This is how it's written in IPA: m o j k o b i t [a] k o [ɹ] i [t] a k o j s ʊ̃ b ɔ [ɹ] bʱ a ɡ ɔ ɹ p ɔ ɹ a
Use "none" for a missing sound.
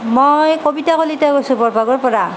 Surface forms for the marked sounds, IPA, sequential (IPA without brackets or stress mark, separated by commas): a, l, t, ɹ